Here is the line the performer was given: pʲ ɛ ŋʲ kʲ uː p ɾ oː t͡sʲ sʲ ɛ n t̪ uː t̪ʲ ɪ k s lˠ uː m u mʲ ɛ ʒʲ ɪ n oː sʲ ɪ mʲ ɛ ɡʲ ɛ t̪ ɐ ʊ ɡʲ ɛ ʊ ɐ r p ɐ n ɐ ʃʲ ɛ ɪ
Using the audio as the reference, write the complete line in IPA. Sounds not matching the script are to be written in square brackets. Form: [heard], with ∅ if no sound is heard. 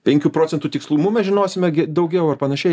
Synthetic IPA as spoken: pʲ ɛ ŋʲ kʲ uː p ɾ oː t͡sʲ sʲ ɛ n t̪ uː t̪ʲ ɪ k s lˠ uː m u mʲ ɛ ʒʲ ɪ n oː sʲ ɪ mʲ ɛ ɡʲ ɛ [d̪] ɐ ʊ ɡʲ ɛ ʊ ɐ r p ɐ n ɐ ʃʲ ɛ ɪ